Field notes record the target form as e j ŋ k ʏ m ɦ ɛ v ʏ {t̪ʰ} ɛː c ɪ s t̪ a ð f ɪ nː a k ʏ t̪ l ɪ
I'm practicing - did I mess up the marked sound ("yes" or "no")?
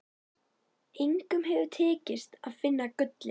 no